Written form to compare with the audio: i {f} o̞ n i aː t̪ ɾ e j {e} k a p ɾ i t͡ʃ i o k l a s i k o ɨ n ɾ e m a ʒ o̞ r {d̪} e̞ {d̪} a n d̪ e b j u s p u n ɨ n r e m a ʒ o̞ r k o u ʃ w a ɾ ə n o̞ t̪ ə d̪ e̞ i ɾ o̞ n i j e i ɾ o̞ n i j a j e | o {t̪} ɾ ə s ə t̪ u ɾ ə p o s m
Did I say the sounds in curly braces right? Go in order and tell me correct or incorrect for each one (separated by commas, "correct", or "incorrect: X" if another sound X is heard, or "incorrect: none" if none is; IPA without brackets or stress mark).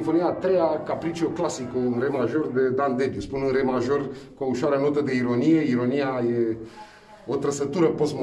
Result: correct, incorrect: a, correct, correct, correct